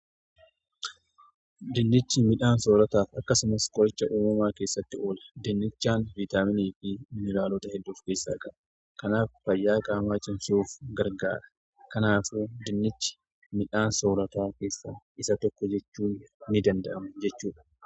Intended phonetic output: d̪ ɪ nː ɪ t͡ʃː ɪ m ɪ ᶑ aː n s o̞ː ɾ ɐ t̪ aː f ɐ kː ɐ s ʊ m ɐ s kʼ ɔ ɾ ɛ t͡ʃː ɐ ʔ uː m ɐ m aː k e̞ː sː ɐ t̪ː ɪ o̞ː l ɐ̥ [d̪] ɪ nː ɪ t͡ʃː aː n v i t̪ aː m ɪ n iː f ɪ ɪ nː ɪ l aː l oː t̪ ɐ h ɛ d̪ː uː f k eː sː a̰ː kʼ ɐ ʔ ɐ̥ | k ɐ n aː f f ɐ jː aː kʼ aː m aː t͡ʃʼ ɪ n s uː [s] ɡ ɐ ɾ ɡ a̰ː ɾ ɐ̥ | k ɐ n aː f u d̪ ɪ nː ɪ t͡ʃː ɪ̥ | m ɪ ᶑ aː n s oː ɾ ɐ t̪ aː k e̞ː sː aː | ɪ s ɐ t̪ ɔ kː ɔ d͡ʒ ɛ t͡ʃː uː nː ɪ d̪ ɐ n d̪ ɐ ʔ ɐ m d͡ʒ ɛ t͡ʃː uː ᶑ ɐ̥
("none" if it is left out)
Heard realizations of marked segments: d̪, f

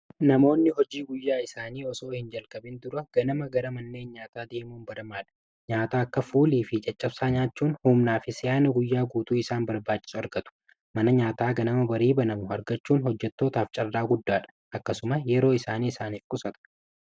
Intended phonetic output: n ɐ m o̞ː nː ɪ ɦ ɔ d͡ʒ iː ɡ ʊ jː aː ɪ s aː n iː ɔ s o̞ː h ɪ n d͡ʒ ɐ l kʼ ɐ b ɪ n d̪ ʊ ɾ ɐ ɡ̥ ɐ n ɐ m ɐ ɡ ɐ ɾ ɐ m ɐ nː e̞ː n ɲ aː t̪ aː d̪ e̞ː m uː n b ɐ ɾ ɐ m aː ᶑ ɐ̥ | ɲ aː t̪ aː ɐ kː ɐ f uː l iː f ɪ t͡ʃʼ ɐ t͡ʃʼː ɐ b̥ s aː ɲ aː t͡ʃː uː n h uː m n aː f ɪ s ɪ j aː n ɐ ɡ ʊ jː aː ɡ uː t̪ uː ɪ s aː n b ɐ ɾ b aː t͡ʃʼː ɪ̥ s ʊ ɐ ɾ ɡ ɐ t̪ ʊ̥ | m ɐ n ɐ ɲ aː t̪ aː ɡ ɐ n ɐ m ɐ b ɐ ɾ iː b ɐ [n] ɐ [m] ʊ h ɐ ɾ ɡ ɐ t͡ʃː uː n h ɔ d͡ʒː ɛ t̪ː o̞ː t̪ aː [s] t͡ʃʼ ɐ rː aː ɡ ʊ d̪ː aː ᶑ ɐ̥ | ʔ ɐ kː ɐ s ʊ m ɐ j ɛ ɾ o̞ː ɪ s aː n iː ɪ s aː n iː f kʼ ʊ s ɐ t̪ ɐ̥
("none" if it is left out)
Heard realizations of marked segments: n, m, f

